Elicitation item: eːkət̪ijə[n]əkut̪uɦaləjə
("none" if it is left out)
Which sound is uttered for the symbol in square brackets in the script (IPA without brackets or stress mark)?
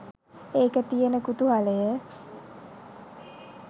n